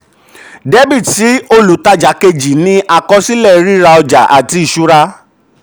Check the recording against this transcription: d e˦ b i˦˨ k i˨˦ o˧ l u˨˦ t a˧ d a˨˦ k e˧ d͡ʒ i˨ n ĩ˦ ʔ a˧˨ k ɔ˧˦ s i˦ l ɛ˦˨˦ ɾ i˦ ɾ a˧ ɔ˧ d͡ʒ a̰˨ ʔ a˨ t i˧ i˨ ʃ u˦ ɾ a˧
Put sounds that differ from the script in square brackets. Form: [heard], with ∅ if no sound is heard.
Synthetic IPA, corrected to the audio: d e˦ b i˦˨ [t] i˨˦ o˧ l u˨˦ t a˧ [d͡ʒ] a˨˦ k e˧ d͡ʒ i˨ n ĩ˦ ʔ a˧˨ k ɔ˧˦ s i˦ l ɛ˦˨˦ ɾ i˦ ɾ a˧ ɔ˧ d͡ʒ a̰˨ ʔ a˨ t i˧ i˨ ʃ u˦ ɾ a˧